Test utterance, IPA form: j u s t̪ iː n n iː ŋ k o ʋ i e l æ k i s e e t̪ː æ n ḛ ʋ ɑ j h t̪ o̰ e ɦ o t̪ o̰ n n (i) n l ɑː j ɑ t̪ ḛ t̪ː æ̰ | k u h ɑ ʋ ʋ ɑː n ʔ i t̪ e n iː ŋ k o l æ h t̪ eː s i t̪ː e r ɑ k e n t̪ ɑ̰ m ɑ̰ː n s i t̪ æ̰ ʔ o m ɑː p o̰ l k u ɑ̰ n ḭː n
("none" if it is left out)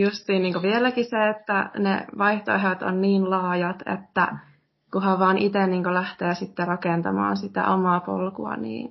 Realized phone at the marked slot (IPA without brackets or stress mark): iː